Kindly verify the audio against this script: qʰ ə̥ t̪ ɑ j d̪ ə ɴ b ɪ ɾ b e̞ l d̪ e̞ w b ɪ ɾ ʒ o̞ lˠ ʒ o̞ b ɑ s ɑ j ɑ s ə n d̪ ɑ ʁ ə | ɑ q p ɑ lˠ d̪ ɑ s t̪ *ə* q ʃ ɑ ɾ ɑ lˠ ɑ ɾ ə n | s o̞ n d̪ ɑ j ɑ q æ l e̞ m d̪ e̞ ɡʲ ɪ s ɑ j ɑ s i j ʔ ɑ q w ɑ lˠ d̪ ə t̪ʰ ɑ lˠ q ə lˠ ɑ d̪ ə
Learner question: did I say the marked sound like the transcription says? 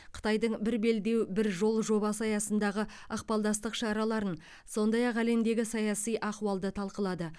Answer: yes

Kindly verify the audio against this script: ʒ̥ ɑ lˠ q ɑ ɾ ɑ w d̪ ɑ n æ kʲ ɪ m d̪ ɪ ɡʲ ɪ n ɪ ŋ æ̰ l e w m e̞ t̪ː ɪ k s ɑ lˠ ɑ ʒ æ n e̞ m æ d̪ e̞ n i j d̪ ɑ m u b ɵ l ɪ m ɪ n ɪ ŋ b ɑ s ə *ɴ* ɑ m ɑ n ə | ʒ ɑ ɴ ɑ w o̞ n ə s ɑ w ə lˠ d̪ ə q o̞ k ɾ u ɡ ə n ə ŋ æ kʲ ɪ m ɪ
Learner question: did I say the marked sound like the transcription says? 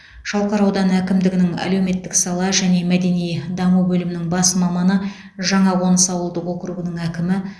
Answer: no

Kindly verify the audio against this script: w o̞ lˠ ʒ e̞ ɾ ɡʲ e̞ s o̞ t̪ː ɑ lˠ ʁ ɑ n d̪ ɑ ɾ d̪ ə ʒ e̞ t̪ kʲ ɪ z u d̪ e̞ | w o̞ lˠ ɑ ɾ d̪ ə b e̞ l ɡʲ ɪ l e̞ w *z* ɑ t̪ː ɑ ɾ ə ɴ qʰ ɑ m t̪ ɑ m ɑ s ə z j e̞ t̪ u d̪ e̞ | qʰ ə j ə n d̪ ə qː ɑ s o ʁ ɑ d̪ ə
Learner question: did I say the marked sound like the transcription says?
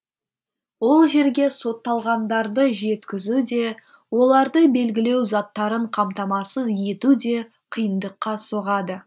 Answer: yes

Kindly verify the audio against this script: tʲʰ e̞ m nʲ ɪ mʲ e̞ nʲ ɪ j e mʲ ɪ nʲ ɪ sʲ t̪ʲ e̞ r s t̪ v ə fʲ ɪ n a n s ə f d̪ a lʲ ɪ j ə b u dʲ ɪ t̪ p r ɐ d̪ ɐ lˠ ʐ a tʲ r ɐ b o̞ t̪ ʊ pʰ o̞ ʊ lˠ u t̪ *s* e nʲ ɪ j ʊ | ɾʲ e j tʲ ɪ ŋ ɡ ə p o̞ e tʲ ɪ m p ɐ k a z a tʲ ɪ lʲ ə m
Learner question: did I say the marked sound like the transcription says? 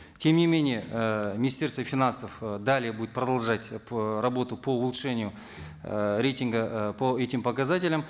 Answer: no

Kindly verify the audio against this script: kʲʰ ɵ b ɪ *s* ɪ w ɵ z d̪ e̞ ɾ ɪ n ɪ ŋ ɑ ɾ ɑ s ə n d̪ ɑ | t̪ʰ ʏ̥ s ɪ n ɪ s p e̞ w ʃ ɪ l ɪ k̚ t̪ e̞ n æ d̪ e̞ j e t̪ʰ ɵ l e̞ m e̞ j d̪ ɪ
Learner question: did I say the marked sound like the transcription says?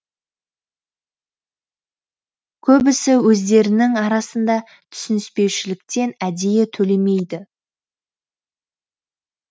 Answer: yes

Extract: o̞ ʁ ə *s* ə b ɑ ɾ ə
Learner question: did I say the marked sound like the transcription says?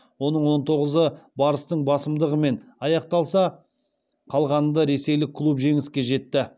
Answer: no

